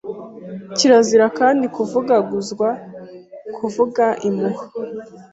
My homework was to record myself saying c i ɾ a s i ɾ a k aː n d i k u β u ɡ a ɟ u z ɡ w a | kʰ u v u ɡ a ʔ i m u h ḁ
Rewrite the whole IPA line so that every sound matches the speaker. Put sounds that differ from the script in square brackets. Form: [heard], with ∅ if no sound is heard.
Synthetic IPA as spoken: c i ɾ a [z] i ɾ a k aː n d i k u [v] u ɡ a [ɡ] u z ɡ w a | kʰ u v u ɡ a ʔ i m u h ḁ